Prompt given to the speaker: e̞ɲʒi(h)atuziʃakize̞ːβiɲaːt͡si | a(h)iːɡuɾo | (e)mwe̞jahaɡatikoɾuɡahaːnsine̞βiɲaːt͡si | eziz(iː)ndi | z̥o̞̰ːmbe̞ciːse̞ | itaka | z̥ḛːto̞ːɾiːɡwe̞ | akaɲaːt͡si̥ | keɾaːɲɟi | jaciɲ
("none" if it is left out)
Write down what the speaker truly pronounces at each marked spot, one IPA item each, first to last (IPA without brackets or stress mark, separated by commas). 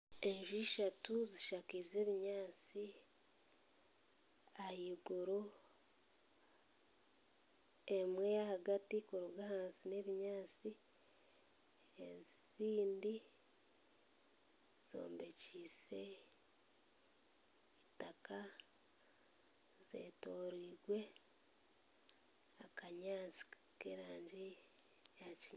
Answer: ʃ, h, e, iː